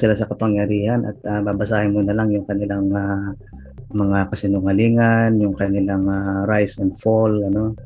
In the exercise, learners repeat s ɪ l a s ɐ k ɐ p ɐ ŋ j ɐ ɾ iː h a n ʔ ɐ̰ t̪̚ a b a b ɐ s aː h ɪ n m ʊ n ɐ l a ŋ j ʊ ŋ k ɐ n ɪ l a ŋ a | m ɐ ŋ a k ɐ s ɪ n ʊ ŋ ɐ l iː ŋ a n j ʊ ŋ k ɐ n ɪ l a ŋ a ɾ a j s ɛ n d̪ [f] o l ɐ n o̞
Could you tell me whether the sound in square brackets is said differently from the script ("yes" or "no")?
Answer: no